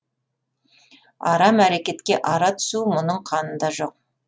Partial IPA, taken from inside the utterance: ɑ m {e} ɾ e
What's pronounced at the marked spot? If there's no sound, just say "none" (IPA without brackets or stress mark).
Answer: æ